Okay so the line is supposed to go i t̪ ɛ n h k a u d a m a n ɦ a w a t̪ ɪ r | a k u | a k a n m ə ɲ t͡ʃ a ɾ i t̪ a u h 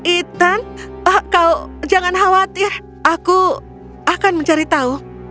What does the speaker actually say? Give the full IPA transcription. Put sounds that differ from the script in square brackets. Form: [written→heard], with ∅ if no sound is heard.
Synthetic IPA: i t̪ [ɛ→a] n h k a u [d→d͡ʒ] a [m→ŋ] a n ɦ a w a t̪ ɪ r | a k u | a k a n m ə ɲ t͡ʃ a ɾ i t̪ a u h